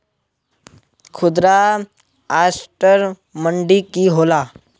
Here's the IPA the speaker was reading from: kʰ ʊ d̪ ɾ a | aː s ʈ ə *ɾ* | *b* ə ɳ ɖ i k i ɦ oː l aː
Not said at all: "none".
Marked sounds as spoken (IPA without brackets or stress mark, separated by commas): ɾ, m